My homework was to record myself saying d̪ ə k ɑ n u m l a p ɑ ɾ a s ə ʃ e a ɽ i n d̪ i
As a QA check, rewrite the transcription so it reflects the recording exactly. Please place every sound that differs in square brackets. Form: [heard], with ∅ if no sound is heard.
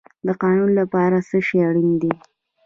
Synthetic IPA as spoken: d̪ ə [q] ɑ n u [n] l a p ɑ ɾ a s ə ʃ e a ɽ i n d̪ i